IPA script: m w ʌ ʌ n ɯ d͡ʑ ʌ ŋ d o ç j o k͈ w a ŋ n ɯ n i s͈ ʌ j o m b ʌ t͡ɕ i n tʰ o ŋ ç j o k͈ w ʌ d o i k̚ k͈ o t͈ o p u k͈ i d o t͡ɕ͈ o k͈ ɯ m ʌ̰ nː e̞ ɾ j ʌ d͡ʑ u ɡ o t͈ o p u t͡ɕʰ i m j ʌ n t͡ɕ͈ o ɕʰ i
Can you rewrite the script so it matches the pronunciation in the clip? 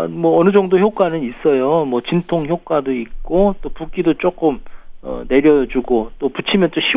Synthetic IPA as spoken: m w ʌ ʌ n ɯ d͡ʑ ʌ ŋ d o ç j o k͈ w a n ɯ n i s͈ ʌ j o m w ʌ t͡ɕ i n tʰ o ŋ ç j o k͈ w a d o i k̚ k͈ o t͈ o p u k͈ i d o t͡ɕ͈ o k͈ ɯ m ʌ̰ n e̞ ɾ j ʌ d͡ʑ u ɡ o t͈ o p u t͡ɕʰ i m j ʌ n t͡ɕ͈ o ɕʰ i